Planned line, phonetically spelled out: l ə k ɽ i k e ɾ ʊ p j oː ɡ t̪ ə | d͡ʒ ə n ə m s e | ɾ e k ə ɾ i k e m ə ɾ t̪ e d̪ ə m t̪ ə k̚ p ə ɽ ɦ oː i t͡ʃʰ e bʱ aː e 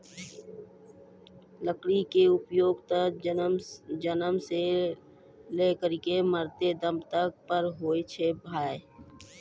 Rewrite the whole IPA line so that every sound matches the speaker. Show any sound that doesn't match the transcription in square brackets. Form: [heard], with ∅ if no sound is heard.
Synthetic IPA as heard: l ə k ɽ i k e [∅] ʊ p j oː ɡ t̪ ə | d͡ʒ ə n ə m s e | [l] e k ə ɾ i k e m ə ɾ t̪ e d̪ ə m t̪ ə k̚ p ə [ɾ] ɦ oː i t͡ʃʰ e bʱ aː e